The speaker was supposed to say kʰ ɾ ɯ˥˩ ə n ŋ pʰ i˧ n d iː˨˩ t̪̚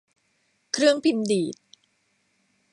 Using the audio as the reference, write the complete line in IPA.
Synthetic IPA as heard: kʰ ɾ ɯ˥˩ ə ŋ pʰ i˧ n d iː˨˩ t̪̚